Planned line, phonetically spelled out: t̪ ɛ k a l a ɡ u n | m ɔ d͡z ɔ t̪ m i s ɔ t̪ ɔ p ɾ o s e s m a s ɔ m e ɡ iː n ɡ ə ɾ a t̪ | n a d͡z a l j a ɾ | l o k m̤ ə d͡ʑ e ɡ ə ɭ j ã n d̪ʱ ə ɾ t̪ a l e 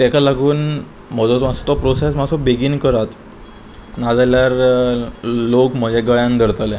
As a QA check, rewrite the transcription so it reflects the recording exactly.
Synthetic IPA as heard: t̪ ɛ k a l a ɡ uː n | m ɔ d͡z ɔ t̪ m a s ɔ t̪ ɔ p ɾ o s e s m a s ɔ b e ɡ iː n k ə ɾ a t̪ | n a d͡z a l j a ɾ | l o k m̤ ə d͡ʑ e ɡ ə ɭ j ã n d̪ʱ ə ɾ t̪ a l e